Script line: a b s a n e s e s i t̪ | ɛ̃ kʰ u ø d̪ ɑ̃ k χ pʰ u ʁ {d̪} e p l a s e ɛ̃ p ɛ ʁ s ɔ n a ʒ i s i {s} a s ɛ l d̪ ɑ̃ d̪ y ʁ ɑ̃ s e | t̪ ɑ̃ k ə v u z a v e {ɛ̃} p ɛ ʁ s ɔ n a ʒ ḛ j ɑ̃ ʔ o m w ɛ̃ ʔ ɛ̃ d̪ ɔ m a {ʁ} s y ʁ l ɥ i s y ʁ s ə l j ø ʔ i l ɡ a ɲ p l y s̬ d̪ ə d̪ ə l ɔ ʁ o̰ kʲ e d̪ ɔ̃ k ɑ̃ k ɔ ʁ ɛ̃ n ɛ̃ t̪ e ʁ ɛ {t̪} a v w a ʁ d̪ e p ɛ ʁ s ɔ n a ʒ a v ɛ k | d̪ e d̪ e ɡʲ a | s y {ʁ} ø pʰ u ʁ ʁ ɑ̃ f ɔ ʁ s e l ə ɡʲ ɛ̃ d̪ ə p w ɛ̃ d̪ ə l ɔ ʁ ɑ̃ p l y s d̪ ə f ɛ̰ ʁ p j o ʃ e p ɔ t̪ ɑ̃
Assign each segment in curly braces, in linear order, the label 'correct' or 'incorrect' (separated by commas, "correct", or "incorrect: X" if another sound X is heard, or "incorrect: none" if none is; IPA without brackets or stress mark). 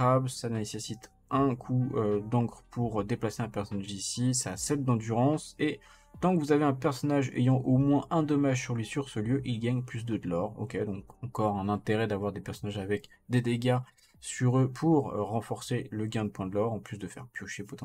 correct, correct, correct, incorrect: ʒ, incorrect: d̪, correct